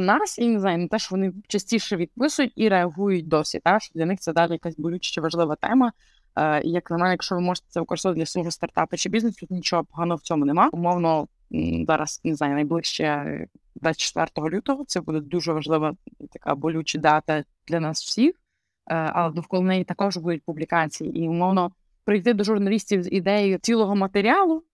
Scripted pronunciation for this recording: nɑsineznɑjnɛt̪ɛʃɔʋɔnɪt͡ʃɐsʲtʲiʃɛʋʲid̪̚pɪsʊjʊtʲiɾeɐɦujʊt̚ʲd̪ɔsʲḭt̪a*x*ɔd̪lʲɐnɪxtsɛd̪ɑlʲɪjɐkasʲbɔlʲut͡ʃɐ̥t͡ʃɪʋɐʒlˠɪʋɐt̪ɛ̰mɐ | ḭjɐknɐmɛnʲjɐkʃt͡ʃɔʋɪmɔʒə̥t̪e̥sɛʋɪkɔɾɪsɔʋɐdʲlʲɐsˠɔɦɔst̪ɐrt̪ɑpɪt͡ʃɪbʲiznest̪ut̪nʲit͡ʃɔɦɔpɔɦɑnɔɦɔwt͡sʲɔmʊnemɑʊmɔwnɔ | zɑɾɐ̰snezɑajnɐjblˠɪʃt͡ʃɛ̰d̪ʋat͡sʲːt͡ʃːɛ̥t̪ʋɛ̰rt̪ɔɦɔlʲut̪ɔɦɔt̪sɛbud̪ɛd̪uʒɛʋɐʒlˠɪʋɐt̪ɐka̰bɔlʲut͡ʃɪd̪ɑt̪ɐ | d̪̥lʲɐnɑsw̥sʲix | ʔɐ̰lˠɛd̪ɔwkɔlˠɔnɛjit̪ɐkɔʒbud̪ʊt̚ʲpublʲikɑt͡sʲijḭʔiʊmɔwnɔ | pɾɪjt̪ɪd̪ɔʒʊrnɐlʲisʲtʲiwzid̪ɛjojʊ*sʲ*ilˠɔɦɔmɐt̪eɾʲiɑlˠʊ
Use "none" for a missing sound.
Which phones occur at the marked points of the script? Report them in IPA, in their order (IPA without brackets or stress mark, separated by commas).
ʃ, t͡sʲ